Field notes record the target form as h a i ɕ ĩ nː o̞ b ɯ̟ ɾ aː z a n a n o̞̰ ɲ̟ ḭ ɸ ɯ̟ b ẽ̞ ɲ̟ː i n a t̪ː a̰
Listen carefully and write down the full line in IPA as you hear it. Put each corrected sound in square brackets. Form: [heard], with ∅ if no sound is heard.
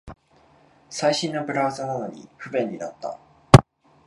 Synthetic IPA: [s] a i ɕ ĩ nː o̞ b ɯ̟ ɾ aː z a n a n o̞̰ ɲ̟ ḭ ɸ ɯ̟ b ẽ̞ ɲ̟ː i n a t̪ː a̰